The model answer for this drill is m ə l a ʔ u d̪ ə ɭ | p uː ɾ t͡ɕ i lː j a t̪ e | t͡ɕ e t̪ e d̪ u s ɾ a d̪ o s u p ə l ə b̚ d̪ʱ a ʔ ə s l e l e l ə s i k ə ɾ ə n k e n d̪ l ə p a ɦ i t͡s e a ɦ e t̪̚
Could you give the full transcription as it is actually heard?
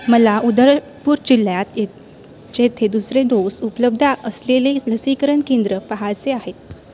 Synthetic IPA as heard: m ə l a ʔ u d̪ ə ɾ | p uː ɾ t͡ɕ i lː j a t̪ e | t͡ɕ e t̪ʰ e d̪ u s ɾ e d̪ o s u p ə l ə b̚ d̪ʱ a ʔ ə s l e l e l ə s i k ə ɾ ə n k e n d̪ ɾ ə p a ɦ a t͡s e a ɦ e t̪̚